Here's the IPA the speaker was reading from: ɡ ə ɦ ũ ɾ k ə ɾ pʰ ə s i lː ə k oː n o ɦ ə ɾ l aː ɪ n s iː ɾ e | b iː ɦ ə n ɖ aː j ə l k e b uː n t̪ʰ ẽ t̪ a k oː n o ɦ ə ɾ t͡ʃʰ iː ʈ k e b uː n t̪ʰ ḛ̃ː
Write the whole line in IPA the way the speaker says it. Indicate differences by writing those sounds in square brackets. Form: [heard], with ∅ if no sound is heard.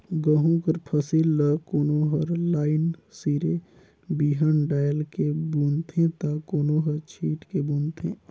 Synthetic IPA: ɡ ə ɦ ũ [∅] k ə ɾ pʰ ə s i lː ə k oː n o ɦ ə ɾ l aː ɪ n s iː ɾ e | b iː ɦ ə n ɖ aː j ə l k e b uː n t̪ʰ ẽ t̪ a k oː n o ɦ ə ɾ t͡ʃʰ iː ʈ k e b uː n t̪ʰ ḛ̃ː